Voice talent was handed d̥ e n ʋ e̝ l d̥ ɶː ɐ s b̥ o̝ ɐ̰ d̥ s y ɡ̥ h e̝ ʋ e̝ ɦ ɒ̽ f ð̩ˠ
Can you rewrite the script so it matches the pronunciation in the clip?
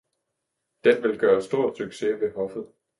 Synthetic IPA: d̥ e n ʋ e̝ l ɡ̥ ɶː ɐ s d̥ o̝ ɐ̰ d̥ s y ɡ̥ s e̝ ʋ e̝ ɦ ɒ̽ f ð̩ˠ